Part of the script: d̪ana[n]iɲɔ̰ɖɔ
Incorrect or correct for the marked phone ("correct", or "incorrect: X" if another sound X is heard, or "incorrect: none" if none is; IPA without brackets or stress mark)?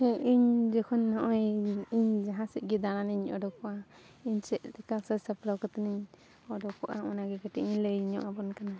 correct